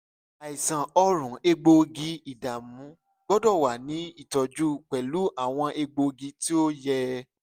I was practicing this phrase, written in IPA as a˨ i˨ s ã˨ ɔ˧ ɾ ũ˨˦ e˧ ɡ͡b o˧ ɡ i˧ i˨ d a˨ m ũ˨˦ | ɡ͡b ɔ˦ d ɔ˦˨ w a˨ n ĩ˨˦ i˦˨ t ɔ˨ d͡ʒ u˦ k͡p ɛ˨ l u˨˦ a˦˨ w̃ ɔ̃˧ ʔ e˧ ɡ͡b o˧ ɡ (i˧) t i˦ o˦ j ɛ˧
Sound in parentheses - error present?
no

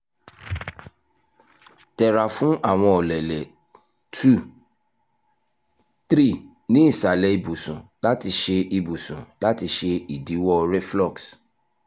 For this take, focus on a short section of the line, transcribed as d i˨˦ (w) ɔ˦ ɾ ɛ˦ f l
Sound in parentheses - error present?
no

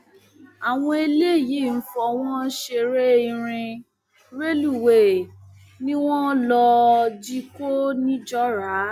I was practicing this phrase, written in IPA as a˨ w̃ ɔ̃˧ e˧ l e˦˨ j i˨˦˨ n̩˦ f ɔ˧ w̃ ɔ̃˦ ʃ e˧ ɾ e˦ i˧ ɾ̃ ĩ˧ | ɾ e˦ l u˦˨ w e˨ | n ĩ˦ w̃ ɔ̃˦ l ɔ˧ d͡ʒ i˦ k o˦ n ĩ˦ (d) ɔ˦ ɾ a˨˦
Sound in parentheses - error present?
yes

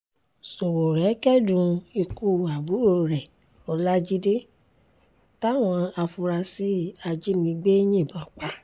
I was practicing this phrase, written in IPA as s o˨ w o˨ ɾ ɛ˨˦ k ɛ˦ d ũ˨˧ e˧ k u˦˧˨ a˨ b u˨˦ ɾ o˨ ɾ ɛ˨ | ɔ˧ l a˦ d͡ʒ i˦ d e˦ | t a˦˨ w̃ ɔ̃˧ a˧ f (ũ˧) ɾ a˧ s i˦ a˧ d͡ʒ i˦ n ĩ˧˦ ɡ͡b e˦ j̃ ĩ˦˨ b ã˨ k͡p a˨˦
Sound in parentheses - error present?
yes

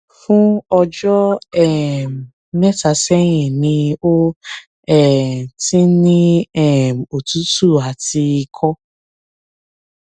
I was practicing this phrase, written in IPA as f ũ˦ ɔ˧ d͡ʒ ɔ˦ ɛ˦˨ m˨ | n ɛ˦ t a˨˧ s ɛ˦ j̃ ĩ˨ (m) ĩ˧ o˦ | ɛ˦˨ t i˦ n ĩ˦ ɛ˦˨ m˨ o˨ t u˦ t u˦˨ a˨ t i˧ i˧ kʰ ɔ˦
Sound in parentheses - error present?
yes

